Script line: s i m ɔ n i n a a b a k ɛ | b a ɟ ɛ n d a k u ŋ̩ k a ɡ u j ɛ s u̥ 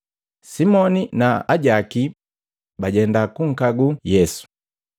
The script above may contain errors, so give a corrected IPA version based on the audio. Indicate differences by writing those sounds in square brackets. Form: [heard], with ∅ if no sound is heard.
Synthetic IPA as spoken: s i m ɔ n i n a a [ɟ] a k [i] | b a ɟ ɛ n d a k u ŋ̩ k a ɡ u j ɛ s u̥